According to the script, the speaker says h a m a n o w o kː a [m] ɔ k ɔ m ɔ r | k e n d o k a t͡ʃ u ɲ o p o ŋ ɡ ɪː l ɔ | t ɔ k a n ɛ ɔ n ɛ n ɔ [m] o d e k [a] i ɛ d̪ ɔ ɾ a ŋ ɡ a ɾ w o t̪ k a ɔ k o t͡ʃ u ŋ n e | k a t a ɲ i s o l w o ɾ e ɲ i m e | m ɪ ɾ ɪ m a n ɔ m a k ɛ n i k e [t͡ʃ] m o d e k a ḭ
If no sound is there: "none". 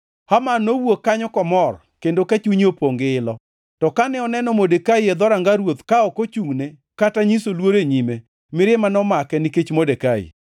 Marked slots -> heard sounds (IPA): ɲ, m, a, t͡ʃ

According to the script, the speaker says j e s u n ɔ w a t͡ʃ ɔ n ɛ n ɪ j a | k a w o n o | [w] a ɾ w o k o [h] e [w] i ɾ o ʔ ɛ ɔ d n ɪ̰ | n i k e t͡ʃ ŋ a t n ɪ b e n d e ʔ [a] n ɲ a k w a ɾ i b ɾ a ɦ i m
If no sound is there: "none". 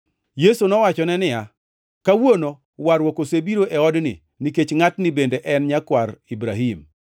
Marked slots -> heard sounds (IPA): w, s, b, ɛ

